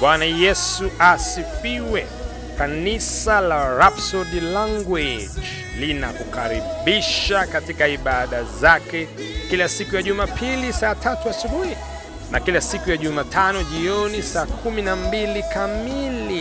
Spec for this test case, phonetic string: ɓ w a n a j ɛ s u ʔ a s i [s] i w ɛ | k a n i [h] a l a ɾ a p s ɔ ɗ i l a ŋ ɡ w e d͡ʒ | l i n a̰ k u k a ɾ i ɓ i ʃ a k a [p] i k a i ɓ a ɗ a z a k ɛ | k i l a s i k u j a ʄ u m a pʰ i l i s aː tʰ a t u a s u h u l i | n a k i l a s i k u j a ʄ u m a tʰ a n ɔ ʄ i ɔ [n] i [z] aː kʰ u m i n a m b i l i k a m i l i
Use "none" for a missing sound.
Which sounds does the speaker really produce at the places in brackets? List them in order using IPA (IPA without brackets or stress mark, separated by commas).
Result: f, s, t, n, s